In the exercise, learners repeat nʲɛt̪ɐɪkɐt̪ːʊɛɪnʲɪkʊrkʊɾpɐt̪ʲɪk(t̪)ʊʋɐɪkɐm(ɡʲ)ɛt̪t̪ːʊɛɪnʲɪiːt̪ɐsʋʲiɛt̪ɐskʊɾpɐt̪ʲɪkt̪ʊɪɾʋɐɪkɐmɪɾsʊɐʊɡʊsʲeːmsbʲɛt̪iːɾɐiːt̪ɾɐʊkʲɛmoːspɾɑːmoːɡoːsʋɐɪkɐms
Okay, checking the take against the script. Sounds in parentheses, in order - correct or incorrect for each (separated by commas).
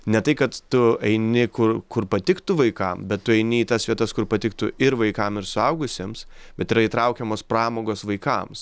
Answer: correct, incorrect